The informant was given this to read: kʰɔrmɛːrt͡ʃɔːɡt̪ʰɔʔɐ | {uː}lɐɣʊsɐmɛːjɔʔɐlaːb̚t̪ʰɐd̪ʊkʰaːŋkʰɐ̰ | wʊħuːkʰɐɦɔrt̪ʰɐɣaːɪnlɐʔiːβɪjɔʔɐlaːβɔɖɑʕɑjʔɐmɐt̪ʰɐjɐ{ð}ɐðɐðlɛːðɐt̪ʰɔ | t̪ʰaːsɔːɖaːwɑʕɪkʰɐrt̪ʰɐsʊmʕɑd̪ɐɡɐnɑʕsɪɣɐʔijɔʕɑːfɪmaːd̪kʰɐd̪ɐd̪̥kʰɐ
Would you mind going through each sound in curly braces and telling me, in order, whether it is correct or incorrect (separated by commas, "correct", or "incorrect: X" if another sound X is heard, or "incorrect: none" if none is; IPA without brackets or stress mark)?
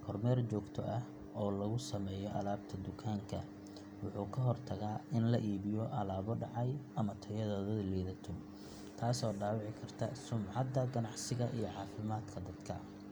incorrect: ɔː, correct